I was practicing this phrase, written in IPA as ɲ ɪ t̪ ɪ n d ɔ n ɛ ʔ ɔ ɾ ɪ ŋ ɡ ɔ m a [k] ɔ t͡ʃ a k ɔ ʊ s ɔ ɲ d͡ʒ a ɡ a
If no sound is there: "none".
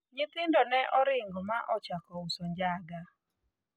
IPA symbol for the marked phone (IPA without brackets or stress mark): ʔ